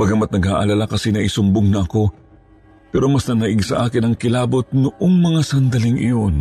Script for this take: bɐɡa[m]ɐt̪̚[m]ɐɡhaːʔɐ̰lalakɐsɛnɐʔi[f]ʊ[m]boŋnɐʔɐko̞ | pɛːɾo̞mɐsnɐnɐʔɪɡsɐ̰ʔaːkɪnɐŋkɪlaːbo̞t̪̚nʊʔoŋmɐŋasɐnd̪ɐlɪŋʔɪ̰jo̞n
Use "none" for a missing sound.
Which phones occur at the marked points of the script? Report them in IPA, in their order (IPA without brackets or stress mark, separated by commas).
m, n, s, m